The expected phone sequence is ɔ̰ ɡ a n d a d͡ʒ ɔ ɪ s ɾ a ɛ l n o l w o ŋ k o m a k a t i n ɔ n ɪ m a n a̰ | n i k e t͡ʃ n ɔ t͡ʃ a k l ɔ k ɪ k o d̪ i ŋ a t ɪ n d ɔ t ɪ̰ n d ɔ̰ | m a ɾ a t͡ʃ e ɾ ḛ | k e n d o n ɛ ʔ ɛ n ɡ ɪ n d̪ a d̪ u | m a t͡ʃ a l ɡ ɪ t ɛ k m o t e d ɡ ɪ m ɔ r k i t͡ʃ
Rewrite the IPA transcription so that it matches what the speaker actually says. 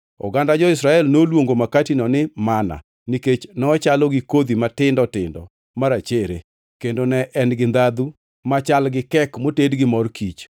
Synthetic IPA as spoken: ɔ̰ ɡ a n d a d͡ʒ ɔ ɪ s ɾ a ɛ l n o l w o ŋ ɡ o m a k a t i n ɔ n ɪ m a n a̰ | n i k e t͡ʃ n ɔ t͡ʃ a l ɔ ɡ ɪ k o d̪ i m a t ɪ n d ɔ t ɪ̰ n d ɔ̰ | m a ɾ a t͡ʃ e ɾ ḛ | k e n d o n ɛ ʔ ɛ n ɡ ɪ n d̪ a d̪ u | m a t͡ʃ a l ɡ ɪ k ɛ k m o t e d ɡ ɪ m ɔ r k i t͡ʃ